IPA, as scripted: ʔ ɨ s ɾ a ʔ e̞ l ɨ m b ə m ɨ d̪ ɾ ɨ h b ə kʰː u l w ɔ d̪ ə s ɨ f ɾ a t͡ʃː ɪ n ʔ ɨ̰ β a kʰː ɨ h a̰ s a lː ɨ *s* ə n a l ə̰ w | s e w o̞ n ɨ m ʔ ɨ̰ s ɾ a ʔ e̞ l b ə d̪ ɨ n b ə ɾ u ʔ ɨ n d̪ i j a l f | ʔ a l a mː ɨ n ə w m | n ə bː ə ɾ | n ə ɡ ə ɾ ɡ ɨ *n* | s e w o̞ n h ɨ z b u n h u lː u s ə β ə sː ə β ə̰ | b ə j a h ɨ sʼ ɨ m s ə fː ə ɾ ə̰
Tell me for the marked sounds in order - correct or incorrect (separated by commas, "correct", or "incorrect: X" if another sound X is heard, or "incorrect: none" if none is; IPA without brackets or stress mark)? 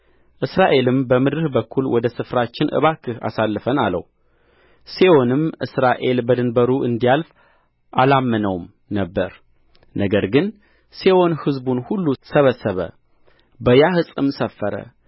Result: incorrect: f, correct